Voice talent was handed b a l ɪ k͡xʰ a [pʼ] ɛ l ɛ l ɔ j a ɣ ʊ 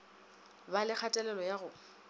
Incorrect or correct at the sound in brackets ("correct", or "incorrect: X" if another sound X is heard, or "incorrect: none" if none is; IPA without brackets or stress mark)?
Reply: incorrect: tʼ